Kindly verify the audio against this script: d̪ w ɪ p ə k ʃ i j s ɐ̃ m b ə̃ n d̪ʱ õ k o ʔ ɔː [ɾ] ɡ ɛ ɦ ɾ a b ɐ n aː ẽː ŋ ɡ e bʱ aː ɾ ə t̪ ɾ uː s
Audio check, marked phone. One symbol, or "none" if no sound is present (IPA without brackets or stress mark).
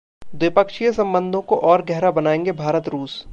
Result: ɾ